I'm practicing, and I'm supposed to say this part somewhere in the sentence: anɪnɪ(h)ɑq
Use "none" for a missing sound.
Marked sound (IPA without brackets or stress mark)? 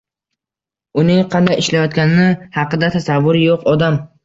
h